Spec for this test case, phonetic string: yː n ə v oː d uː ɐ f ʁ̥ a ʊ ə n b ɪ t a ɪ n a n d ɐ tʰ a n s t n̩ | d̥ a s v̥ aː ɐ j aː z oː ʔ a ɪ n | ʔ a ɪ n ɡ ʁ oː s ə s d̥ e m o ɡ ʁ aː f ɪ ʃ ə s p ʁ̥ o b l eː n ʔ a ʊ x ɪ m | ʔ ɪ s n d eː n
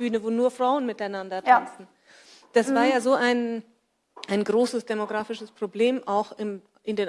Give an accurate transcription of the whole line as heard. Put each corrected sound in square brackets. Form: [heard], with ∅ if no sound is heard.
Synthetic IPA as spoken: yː n ə v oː [n] uː ɐ f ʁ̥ a ʊ ə n [m] ɪ t a ɪ n a n d ɐ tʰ a n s t n̩ | d̥ a s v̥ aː ɐ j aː z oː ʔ a ɪ n | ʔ a ɪ n ɡ ʁ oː s ə s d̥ e m o ɡ ʁ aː f ɪ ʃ ə s p ʁ̥ o b l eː [m] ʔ a ʊ x ɪ m | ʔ ɪ [∅] n d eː n